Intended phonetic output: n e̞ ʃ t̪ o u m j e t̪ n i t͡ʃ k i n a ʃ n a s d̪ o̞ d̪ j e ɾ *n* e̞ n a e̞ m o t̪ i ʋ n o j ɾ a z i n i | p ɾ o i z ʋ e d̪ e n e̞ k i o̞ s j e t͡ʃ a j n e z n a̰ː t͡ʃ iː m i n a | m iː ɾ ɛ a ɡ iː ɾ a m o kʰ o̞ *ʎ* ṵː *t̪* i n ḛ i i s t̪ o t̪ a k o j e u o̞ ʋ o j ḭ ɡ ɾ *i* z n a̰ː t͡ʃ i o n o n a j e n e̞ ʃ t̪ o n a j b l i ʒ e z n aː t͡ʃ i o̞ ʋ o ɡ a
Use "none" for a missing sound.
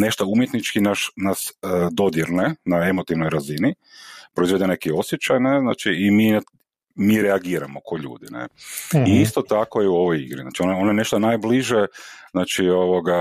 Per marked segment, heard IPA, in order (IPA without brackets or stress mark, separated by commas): n, ʎ, d̪, i